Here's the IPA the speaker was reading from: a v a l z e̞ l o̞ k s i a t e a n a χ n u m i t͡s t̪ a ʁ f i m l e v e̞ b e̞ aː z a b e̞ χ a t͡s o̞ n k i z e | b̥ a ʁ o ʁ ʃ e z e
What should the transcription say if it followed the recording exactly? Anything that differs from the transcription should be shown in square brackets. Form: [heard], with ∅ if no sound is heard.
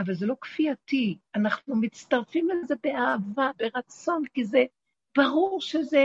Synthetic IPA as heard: a v a l z e̞ l o̞ k [f] i a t [i] a n a χ n u m i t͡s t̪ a ʁ f i m l e [z] e̞ b e̞ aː [v] a b e̞ [ʁ] a t͡s o̞ n k i z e | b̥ a ʁ [u] ʁ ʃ e z e